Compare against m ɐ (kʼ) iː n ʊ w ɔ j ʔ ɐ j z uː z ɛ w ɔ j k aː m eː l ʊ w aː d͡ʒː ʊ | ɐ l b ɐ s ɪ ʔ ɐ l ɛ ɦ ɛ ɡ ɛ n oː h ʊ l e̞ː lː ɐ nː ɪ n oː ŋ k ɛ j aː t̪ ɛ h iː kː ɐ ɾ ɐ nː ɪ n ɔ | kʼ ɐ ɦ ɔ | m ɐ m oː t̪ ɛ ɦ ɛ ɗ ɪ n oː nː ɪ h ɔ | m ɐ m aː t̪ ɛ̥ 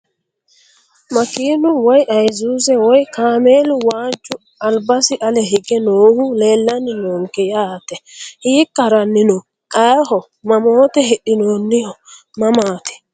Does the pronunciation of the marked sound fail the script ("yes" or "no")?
yes